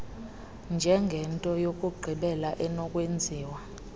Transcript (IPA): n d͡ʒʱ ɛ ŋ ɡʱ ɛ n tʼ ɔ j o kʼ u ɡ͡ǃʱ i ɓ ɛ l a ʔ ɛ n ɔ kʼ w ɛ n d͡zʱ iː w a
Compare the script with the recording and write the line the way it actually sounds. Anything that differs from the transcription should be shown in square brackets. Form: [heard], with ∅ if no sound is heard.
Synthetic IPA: n d͡ʒʱ ɛ ŋ ɡʱ ɛ n tʼ ɔ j o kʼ u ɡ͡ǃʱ i ɓ ɛ l a ʔ ɛ n ɔ kʼ w [e] n d͡zʱ iː w a